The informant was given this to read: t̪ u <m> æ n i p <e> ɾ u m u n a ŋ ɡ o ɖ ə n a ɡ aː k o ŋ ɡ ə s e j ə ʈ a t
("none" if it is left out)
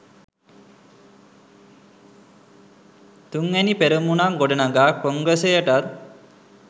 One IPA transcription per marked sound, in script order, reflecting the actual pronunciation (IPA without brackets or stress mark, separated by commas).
ŋ, e